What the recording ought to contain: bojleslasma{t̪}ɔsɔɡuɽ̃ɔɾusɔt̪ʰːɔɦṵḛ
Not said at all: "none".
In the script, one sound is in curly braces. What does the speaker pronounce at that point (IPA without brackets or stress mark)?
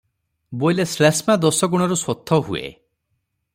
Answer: d̪